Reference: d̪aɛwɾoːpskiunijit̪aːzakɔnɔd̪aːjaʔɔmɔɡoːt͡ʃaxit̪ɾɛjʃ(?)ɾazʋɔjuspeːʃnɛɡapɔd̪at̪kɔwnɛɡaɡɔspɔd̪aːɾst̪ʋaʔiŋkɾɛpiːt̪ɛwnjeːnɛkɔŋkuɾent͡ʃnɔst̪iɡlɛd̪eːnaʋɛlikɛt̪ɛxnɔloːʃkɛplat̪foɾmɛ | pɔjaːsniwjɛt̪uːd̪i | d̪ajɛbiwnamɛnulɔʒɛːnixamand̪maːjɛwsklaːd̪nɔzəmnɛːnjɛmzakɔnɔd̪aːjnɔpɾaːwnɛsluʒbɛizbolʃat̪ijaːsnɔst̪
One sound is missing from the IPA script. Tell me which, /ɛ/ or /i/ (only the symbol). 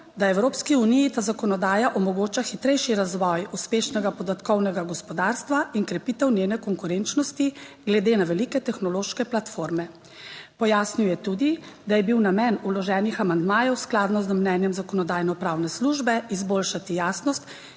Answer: i